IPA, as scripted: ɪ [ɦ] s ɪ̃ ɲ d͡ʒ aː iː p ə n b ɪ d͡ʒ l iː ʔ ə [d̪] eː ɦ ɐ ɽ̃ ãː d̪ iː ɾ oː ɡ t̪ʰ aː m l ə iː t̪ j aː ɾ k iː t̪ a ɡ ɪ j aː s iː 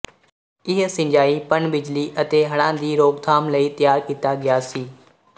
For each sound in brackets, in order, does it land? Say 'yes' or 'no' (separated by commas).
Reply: yes, no